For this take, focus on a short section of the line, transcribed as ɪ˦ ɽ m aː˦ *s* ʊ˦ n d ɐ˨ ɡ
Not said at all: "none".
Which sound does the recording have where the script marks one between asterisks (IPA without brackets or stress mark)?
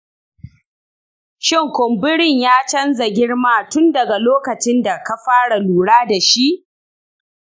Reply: t